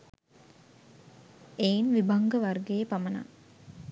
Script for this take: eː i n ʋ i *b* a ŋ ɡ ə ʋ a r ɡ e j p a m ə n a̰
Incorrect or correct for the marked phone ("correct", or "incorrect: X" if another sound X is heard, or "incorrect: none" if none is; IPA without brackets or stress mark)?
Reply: correct